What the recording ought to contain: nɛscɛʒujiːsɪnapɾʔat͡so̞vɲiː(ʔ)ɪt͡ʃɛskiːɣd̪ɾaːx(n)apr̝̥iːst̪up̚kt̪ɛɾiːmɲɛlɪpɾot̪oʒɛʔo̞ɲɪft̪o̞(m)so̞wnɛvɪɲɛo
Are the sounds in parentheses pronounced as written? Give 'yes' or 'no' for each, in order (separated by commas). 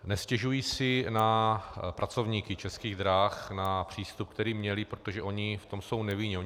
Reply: no, yes, yes